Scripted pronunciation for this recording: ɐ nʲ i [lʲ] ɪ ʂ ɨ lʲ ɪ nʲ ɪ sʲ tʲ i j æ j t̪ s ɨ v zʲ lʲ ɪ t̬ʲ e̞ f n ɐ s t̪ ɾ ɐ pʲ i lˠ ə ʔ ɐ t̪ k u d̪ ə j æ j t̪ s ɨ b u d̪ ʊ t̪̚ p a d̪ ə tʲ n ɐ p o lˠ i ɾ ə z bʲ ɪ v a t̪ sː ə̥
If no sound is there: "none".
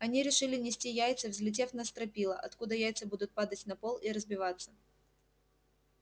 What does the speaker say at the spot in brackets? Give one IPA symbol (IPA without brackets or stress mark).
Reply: ɾʲ